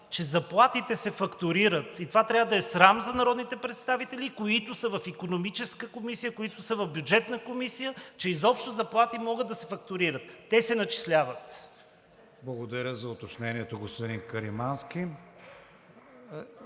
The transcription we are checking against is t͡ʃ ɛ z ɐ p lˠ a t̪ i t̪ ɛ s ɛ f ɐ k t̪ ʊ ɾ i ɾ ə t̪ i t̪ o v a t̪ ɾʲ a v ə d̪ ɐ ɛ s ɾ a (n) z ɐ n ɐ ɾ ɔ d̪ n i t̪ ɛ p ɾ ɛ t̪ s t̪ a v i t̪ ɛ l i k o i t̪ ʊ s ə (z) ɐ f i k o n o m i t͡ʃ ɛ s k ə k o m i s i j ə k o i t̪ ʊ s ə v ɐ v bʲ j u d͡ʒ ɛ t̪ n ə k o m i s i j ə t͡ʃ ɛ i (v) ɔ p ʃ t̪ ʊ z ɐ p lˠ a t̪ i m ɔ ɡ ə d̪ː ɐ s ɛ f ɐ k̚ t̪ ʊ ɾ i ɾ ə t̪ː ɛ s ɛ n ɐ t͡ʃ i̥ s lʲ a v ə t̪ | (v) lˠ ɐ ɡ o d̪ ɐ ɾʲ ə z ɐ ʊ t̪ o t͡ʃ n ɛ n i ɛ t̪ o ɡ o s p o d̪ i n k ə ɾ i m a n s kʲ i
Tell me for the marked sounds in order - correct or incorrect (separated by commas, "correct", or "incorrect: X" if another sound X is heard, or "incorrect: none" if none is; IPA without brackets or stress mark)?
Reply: incorrect: m, incorrect: v, incorrect: z, incorrect: b